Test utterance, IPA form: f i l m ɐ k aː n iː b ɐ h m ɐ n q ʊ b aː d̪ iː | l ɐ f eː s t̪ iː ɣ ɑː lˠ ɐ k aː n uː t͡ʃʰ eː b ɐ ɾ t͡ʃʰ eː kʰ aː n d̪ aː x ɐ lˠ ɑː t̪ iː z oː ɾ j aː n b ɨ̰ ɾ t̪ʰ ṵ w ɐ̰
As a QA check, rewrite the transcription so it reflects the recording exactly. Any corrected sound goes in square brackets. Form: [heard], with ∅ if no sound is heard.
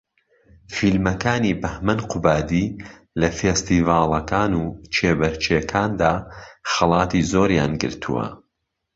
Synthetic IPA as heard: f i l m ɐ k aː n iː b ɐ h m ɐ n q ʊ b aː d̪ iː | l ɐ f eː s t̪ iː [v] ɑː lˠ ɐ k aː n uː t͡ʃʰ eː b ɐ ɾ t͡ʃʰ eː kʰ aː n d̪ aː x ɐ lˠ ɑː t̪ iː z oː ɾ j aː n [ɡ] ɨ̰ ɾ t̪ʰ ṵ w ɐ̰